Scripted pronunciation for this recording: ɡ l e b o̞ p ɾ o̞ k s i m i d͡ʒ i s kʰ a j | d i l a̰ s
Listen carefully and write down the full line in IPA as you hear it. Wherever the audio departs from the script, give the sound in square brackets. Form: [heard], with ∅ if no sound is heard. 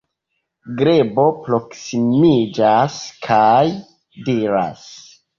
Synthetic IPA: ɡ [ɾ] e b o̞ p ɾ o̞ k s i m i d͡ʒ [a] s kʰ a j | d i [ɾ] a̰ s